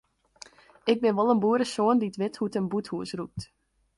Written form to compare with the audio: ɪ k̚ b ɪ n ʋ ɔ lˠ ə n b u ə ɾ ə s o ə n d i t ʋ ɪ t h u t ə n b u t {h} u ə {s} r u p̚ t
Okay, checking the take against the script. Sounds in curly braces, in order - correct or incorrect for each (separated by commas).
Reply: correct, correct